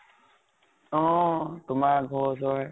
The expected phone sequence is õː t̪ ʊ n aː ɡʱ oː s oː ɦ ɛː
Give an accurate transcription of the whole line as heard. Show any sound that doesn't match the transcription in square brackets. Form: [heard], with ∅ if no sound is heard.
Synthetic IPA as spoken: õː t̪ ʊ [m] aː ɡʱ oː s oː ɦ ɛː